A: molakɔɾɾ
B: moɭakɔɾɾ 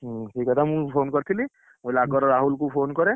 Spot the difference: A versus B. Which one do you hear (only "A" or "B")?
A